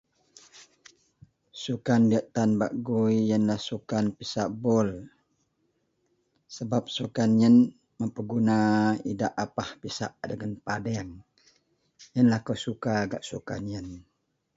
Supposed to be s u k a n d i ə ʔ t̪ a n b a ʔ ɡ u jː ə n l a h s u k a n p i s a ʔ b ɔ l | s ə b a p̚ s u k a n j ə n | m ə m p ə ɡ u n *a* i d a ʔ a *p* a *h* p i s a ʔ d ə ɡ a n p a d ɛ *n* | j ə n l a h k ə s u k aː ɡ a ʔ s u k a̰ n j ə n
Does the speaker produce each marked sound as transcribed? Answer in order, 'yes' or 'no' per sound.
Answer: yes, yes, yes, no

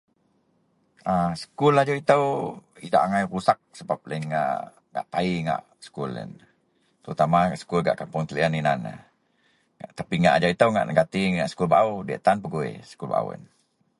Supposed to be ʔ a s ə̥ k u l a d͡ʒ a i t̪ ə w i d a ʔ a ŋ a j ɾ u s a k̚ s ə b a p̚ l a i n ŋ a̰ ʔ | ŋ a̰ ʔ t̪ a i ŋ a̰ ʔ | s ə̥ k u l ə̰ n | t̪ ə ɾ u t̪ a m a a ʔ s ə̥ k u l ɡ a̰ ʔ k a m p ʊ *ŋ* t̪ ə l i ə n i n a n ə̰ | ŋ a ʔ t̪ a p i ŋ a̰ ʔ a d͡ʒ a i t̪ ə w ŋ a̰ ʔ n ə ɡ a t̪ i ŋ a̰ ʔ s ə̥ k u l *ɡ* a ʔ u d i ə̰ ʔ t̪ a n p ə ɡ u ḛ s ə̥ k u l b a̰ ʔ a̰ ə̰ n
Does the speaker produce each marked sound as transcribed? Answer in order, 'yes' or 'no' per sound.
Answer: yes, no

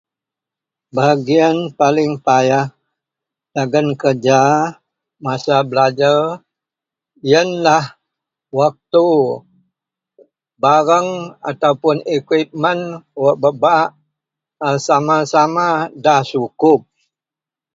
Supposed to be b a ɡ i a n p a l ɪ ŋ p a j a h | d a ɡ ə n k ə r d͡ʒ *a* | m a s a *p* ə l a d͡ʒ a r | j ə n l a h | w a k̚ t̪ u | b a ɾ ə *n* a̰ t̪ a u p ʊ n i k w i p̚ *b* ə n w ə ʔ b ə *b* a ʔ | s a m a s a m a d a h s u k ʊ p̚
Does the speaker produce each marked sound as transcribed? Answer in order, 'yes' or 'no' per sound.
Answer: yes, no, no, no, yes

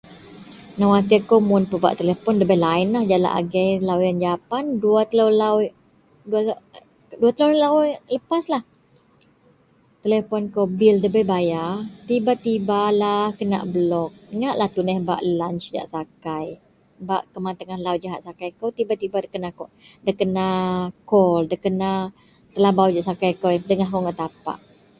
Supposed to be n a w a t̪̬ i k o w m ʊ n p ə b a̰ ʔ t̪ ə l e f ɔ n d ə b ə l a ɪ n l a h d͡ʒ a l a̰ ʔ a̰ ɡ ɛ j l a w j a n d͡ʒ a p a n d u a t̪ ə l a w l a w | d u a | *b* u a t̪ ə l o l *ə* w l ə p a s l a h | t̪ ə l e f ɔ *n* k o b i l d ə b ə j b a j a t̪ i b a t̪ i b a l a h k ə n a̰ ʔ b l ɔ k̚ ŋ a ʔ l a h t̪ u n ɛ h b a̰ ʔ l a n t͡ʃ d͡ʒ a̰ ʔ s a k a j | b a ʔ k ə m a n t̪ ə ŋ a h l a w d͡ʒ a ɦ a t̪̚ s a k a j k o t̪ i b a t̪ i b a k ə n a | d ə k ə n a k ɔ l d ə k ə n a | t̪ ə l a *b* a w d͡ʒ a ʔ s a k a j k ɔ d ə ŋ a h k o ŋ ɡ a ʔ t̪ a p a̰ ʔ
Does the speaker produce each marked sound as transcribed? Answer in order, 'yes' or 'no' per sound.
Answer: no, no, yes, yes

